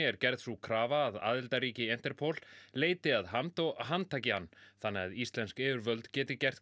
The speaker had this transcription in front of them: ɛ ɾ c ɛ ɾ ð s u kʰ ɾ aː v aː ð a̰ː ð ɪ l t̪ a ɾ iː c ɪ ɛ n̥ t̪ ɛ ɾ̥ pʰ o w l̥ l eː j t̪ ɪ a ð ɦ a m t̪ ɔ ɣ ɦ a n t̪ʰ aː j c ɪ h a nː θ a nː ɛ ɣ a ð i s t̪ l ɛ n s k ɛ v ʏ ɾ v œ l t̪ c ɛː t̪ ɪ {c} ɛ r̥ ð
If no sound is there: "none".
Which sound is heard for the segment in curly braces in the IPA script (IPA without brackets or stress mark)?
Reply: c